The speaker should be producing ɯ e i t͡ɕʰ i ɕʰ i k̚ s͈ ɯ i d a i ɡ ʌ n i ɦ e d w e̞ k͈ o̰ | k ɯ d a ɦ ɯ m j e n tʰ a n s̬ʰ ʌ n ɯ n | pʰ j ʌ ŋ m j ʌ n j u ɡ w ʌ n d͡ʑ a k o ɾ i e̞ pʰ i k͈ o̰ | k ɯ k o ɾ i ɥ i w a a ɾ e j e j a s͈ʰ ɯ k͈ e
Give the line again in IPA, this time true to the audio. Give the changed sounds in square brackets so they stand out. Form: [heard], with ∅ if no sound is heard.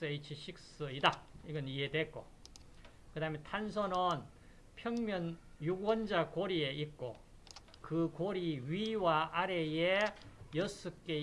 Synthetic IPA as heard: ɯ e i t͡ɕʰ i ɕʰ i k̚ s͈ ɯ i d a i ɡ ʌ n i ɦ e d w e̞ k͈ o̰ | k ɯ d a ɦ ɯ m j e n tʰ a n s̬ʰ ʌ n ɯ n | pʰ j ʌ ŋ m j ʌ n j u ɡ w ʌ n d͡ʑ a k o ɾ i e̞ [∅] i k͈ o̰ | k ɯ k o ɾ i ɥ i w a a ɾ e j e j [ʌ] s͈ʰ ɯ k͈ e